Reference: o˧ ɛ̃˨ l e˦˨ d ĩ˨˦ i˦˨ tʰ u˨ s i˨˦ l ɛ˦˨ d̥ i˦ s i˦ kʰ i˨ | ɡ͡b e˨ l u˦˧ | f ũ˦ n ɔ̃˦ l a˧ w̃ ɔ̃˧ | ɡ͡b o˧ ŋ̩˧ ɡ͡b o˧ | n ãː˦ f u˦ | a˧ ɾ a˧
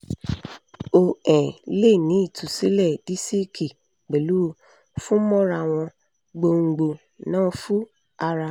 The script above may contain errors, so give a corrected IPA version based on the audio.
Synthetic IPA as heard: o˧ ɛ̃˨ l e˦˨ n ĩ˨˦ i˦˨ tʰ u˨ s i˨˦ l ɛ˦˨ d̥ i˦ s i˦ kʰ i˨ | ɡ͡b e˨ l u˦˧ | f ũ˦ m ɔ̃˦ ɾ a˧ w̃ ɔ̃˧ | ɡ͡b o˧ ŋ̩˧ ɡ͡b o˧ | n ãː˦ f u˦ | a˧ ɾ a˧

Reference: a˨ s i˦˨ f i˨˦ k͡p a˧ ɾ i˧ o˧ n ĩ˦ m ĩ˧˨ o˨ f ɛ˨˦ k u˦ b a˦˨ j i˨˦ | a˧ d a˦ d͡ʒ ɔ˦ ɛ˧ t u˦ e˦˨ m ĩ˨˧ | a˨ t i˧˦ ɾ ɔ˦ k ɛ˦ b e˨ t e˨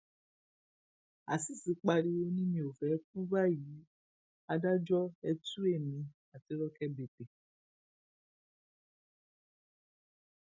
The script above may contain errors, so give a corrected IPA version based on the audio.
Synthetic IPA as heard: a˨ s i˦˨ s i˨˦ k͡p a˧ ɾ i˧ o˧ n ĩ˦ m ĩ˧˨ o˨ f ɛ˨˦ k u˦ b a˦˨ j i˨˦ | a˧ d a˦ d͡ʒ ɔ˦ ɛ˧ t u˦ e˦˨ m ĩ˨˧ | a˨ t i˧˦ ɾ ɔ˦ k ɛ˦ b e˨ t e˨

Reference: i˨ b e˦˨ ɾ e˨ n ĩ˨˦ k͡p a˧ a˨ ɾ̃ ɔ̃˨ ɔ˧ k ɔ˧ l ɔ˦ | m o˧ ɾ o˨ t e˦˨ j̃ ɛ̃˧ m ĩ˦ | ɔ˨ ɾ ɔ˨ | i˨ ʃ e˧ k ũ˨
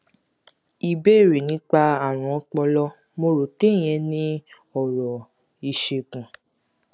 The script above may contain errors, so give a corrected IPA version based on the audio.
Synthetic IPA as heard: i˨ b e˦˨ ɾ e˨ n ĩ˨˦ k͡p a˧ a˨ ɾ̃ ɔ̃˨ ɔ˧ k͡p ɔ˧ l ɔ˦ | m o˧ ɾ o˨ t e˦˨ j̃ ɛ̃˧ n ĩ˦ | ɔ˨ ɾ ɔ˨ | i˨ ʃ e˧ k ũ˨

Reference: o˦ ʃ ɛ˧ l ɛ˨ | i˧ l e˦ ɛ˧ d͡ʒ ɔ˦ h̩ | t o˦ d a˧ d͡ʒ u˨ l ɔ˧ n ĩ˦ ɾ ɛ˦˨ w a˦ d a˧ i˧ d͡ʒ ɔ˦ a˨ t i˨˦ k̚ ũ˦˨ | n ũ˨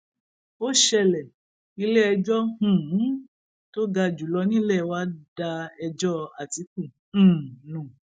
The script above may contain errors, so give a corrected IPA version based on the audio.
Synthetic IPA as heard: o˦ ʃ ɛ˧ l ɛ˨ | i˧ l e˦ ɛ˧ d͡ʒ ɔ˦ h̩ | t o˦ ɡ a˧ d͡ʒ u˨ l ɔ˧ n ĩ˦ l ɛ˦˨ w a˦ d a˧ ɛ˧ d͡ʒ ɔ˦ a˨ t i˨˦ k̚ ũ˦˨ | n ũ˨

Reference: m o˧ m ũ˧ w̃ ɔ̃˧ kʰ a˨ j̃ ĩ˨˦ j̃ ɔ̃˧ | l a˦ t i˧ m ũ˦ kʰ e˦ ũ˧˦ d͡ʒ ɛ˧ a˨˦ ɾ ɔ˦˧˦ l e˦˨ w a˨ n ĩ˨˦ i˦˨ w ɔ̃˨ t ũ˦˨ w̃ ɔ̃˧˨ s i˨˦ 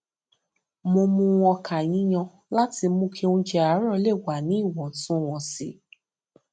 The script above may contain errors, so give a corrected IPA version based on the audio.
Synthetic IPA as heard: m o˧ m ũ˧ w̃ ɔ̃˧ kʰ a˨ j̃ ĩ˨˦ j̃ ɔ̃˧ | l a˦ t i˧ m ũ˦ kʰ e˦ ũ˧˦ d͡ʒ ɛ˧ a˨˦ ɾ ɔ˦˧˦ l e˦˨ w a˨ n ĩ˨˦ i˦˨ w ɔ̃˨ t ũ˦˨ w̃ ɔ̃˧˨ s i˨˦

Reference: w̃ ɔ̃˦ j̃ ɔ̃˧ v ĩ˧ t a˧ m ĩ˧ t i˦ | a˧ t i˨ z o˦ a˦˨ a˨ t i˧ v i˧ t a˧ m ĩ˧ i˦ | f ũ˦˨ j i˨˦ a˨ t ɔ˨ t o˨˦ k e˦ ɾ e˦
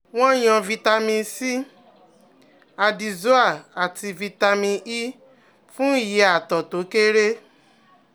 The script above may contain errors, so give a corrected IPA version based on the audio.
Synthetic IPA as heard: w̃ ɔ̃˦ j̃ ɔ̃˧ v i˧ t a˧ m ĩ˧ s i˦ | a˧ d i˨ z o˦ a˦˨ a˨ t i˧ v i˧ t a˧ m ĩ˧ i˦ | f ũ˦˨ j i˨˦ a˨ t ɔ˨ t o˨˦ k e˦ ɾ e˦

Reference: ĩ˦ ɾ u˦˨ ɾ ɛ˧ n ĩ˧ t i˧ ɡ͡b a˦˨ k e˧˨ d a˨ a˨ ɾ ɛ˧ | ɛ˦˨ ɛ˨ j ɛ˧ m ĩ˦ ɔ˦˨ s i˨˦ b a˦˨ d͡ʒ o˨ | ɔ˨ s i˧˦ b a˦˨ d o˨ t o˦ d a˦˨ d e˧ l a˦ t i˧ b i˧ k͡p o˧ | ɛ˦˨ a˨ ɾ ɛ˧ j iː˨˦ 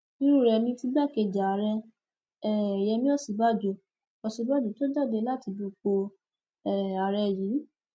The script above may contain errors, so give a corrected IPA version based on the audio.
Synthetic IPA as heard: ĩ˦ ɾ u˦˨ ɾ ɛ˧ n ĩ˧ t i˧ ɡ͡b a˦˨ k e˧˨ d͡ʒ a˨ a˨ ɾ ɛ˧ | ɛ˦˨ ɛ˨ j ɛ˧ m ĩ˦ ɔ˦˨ s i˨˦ b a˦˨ d͡ʒ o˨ | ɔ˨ s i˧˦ b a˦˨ d͡ʒ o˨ t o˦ d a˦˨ d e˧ l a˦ t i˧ b i˧ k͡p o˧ | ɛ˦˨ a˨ ɾ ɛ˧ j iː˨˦

